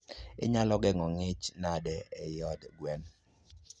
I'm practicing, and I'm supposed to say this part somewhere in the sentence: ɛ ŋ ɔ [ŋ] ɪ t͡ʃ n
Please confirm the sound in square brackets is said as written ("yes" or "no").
yes